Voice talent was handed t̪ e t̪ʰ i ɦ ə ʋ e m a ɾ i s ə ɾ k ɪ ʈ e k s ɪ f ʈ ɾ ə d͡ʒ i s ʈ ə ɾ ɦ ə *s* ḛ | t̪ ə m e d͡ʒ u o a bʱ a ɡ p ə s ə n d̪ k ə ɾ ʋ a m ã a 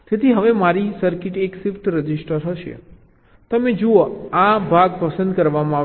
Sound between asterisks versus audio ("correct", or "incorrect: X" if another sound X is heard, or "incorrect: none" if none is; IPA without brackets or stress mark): incorrect: ʃ